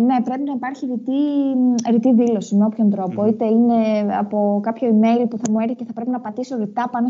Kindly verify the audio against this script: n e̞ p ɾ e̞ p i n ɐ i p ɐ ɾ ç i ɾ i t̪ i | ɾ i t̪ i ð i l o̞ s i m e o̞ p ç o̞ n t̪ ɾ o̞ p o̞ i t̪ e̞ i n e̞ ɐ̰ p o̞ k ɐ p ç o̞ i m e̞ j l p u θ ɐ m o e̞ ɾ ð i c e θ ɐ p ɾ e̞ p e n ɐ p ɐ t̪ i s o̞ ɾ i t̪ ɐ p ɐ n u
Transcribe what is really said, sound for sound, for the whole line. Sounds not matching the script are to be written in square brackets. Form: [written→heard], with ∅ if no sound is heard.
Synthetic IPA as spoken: n e̞ p ɾ e̞ p i n ɐ i p ɐ ɾ ç i ɾ i t̪ i | ɾ i t̪ i ð i l o̞ s i m e o̞ p ç o̞ n t̪ ɾ o̞ p o̞ i t̪ e̞ i n e̞ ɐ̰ p o̞ k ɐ p ç o̞ i m e̞ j l p u θ ɐ m [o→u] e̞ ɾ [ð→θ] i c e θ ɐ p ɾ e̞ p [e→i] n ɐ p ɐ t̪ i s o̞ ɾ i t̪ ɐ p ɐ n [u→o]